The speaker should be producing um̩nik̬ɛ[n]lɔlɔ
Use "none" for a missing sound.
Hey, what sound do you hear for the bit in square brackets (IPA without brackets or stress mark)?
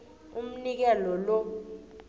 none